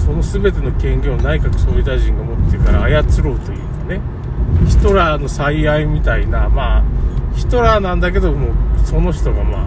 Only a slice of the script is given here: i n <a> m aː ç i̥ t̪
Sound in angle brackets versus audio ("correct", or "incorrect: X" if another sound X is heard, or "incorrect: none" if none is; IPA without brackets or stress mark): correct